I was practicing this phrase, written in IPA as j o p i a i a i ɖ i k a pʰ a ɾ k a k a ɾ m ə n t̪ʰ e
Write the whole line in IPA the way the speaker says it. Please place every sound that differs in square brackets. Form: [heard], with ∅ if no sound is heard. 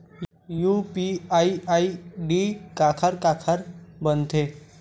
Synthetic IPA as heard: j [u] p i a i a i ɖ i k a [kʰ] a ɾ k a [kʰ] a ɾ [b] ə n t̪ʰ e